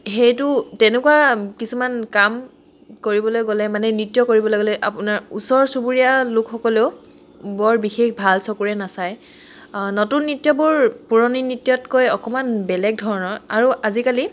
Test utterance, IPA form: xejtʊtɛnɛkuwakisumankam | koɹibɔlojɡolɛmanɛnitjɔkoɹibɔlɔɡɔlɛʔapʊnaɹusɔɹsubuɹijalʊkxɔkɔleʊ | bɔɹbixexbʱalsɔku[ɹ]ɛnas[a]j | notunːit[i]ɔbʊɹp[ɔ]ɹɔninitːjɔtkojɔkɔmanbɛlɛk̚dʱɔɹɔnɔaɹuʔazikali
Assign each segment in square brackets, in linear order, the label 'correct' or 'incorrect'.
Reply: correct, correct, incorrect, incorrect

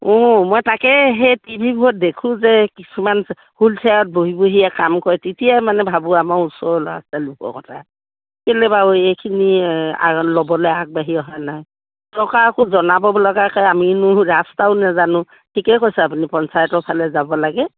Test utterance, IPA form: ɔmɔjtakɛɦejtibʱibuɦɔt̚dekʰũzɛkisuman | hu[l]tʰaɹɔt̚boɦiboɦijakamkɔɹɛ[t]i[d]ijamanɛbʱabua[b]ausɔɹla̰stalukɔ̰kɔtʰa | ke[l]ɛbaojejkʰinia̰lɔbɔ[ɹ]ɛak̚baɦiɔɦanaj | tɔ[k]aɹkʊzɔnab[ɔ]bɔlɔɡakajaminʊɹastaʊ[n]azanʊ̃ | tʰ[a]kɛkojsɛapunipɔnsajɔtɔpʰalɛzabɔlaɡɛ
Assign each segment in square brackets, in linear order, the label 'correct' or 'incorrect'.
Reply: correct, correct, incorrect, incorrect, correct, incorrect, correct, correct, correct, incorrect

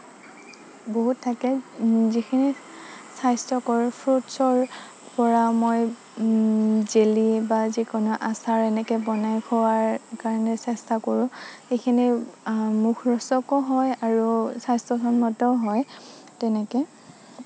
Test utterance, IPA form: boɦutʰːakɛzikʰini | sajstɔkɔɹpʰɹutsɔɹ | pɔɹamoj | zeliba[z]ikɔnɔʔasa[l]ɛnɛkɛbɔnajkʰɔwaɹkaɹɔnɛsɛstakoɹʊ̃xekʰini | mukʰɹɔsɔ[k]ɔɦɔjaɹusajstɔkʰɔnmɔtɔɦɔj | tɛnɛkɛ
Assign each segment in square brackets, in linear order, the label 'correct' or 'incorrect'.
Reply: correct, incorrect, correct

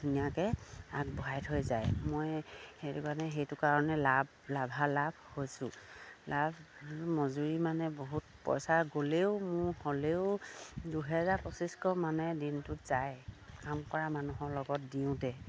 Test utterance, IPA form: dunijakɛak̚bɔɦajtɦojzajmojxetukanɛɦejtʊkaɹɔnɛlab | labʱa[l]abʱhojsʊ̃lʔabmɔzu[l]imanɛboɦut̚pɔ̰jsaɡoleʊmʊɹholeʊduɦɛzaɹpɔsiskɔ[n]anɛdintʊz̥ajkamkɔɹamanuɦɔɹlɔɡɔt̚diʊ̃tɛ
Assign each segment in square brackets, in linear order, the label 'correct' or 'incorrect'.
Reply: correct, incorrect, incorrect

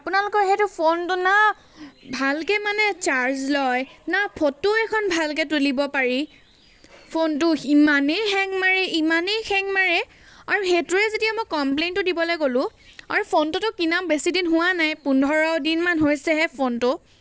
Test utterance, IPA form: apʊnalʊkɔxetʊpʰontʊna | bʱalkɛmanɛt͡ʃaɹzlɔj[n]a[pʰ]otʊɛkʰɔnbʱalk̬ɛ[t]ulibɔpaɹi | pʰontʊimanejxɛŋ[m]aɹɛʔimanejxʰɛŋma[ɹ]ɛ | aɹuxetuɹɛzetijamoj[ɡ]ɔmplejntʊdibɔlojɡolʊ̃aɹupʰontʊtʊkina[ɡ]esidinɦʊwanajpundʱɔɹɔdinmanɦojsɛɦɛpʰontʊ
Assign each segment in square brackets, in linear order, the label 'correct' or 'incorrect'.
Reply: correct, correct, correct, correct, correct, incorrect, incorrect

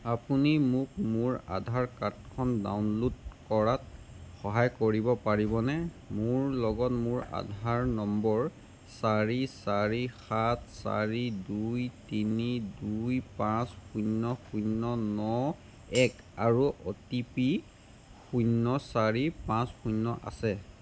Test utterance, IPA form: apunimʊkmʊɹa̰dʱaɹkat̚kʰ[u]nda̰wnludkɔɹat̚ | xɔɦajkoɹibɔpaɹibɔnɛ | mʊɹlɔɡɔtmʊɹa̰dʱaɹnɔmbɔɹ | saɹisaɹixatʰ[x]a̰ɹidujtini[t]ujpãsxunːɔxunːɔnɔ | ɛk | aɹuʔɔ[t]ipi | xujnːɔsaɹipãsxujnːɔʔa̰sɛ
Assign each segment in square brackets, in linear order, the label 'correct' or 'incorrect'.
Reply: incorrect, incorrect, incorrect, correct

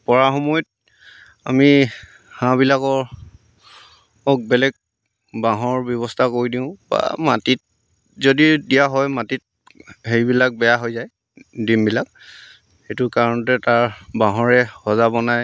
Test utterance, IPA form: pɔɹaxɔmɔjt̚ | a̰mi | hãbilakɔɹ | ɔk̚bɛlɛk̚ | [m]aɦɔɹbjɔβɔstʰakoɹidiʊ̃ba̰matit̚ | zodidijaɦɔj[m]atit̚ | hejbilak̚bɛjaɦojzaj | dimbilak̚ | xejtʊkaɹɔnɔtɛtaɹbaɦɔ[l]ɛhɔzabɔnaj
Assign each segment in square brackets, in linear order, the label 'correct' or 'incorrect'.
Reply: incorrect, correct, incorrect

